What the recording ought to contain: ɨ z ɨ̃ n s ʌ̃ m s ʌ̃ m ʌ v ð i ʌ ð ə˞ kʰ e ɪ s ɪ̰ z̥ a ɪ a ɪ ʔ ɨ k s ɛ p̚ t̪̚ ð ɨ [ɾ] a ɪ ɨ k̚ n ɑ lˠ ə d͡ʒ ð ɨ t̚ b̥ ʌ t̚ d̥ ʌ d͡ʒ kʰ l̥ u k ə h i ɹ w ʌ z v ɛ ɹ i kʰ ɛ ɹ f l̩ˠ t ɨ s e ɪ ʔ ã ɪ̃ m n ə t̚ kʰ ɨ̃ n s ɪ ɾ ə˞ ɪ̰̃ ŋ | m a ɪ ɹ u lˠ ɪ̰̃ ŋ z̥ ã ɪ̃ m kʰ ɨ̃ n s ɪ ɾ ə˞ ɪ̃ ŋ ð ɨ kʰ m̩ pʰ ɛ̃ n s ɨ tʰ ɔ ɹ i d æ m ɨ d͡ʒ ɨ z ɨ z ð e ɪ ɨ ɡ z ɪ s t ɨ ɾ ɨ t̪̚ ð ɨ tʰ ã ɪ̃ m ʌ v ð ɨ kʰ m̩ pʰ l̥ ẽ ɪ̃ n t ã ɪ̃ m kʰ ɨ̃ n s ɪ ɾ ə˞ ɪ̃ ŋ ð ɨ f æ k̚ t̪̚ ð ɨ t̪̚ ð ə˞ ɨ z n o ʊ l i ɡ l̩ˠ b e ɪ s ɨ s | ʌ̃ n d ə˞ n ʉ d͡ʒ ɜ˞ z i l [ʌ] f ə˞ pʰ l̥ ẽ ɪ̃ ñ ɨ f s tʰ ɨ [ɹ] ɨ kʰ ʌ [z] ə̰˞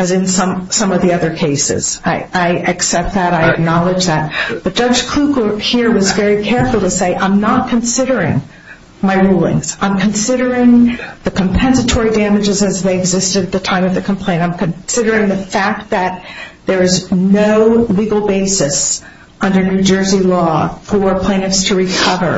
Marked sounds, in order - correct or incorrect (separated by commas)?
correct, incorrect, correct, incorrect